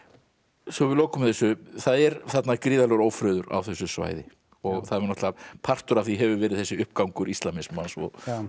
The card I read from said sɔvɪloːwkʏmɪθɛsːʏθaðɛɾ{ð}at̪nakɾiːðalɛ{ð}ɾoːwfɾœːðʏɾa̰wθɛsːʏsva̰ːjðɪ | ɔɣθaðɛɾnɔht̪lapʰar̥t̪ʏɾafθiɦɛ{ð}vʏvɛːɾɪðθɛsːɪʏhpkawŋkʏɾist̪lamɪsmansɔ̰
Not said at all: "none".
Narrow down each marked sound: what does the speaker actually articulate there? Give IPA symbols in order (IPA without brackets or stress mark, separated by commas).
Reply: θ, ɣ, none